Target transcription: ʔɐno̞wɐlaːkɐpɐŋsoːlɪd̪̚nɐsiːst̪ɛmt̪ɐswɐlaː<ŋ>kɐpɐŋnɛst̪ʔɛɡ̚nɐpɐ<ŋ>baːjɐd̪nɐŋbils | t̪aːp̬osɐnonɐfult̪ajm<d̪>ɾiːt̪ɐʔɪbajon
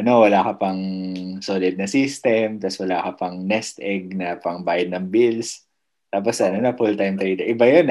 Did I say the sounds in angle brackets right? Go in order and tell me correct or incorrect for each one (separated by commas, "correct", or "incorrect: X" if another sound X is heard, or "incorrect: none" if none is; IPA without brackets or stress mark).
incorrect: none, correct, incorrect: t̪